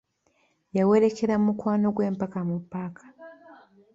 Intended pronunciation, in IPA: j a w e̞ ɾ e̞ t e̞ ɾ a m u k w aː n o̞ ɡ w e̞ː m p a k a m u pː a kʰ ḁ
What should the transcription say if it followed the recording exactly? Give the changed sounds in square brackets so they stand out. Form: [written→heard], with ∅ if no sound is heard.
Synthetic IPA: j a w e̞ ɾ e̞ [t→k] e̞ ɾ a m u k w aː n o̞ ɡ w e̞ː m p a k a m u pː a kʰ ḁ